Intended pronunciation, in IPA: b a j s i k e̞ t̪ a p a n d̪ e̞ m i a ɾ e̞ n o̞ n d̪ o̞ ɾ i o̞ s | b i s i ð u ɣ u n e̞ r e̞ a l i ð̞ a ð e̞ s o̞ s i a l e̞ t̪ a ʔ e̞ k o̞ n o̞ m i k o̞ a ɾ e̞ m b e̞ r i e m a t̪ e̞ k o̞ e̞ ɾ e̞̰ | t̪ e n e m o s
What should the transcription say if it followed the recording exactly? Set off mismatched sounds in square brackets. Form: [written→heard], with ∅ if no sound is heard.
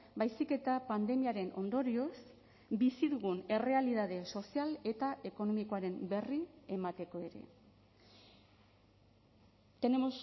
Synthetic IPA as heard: b a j s i k e̞ t̪ a p a n d̪ e̞ m i a ɾ e̞ n o̞ n d̪ o̞ ɾ i o̞ s | b i s i ð u ɣ u n e̞ r e̞ a l i ð̞ a ð e̞ s o̞ s i a l e̞ t̪ a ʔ e̞ k o̞ n o̞ m i k o̞ a ɾ e̞ m b e̞ r i e m a t̪ e̞ k o̞ e̞ ɾ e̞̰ | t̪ e n e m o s